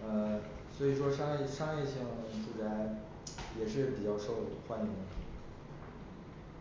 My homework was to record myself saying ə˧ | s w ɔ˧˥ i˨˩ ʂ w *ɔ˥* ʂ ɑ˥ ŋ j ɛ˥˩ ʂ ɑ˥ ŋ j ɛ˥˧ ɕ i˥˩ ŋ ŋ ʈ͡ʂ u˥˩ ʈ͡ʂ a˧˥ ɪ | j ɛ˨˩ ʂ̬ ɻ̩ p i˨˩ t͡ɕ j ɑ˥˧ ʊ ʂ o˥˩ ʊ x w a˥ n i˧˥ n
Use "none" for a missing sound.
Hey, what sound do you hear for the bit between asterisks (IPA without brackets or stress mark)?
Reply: ɔ˥